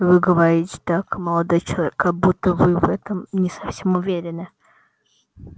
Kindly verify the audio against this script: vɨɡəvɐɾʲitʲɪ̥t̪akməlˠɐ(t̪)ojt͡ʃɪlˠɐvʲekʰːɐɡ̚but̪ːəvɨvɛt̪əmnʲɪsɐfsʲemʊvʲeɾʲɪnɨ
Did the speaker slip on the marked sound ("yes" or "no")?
yes